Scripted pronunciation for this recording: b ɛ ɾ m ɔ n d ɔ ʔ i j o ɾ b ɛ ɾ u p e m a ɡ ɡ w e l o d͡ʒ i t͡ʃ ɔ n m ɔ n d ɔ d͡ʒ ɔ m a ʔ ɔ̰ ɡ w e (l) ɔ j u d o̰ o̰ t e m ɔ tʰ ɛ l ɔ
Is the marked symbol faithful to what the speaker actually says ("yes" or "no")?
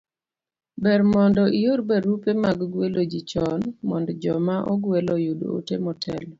yes